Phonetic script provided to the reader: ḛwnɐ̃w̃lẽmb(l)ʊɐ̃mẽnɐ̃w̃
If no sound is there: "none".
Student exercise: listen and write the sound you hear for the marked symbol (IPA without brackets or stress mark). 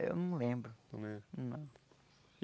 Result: ɾ